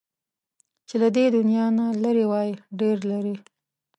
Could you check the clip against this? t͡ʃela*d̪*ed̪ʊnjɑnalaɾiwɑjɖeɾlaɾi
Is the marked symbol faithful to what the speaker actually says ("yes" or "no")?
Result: yes